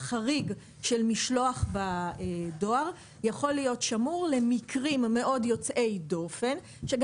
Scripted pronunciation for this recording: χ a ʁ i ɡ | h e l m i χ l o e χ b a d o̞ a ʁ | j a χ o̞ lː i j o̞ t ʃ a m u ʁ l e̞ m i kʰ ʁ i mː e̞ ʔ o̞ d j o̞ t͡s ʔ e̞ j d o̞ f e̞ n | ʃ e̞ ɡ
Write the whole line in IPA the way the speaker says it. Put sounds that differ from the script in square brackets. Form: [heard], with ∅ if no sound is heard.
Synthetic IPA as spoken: χ a ʁ i ɡ | [ʃ] e l m i [ʃ] l o [a] χ b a d o̞ a ʁ | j a χ o̞ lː i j o̞ t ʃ a m u ʁ l e̞ m i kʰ ʁ i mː e̞ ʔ o̞ d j o̞ t͡s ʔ e̞ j d o̞ f e̞ n | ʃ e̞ ɡ